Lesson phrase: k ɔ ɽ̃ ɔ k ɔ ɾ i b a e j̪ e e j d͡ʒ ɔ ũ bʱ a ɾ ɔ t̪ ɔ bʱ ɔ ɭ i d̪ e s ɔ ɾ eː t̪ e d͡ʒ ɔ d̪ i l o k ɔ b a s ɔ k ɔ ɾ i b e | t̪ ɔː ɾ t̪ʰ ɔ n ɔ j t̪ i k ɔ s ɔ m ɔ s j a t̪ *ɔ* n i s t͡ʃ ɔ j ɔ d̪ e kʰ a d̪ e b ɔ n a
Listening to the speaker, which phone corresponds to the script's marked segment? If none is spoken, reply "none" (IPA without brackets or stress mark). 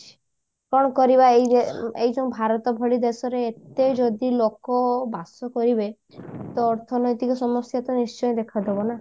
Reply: ɔ